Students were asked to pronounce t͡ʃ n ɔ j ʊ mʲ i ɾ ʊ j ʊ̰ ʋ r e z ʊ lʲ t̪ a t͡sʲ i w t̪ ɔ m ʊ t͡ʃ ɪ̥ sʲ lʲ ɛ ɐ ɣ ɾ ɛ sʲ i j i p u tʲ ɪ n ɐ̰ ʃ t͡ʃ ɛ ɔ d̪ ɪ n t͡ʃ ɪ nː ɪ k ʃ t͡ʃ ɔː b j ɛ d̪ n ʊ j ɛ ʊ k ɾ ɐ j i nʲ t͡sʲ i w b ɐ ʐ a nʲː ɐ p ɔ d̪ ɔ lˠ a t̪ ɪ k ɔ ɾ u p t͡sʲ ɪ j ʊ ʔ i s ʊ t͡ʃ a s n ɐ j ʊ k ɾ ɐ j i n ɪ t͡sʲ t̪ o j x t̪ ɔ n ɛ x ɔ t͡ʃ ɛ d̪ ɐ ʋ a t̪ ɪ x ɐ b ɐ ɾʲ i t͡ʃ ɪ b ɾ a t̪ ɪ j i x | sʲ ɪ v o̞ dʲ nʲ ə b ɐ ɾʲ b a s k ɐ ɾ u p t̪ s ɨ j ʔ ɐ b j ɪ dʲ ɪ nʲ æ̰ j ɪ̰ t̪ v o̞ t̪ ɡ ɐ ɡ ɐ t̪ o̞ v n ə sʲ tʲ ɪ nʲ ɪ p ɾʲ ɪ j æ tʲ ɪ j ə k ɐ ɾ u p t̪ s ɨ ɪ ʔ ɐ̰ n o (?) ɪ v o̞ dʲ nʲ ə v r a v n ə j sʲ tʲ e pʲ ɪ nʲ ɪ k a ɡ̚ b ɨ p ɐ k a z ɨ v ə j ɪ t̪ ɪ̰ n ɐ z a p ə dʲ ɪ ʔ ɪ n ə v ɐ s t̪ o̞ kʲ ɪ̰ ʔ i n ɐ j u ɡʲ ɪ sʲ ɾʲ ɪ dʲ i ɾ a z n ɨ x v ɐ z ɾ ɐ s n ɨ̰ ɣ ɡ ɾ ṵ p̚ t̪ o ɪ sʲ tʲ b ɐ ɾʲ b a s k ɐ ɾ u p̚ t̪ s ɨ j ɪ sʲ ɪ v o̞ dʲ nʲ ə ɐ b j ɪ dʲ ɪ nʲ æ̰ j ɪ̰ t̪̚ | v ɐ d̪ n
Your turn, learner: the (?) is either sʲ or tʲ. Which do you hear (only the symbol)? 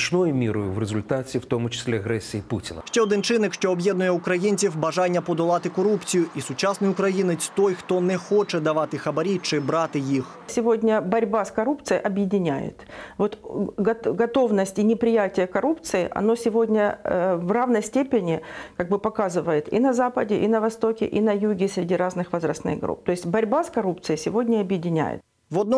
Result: sʲ